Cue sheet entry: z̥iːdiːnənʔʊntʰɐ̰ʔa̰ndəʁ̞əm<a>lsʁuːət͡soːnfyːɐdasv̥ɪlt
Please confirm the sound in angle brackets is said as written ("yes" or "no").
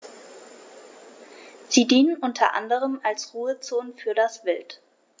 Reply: yes